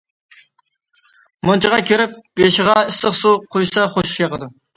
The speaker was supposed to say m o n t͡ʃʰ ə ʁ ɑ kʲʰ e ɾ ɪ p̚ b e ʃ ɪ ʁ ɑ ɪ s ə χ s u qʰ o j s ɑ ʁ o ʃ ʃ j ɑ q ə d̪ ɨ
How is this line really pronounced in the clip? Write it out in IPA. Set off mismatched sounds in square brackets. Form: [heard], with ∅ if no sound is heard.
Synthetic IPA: m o n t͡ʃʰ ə ʁ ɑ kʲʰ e ɾ ɪ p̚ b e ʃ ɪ ʁ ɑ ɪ s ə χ s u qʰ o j s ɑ [χ] o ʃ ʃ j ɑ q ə d̪ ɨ